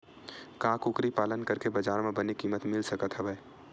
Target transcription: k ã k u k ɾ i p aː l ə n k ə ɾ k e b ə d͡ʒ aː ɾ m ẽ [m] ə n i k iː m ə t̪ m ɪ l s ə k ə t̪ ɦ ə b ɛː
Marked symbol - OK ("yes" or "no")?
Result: no